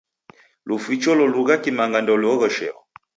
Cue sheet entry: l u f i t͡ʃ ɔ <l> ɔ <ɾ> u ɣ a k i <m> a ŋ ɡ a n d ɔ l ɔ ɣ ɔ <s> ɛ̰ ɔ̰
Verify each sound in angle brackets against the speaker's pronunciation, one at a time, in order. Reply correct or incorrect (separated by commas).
correct, incorrect, correct, incorrect